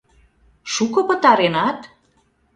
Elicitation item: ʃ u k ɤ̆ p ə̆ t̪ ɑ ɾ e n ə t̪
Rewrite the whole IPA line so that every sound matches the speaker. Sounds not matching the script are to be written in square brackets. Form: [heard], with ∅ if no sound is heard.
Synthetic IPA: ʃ u k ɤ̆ p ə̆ t̪ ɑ ɾ e n [ɑ] t̪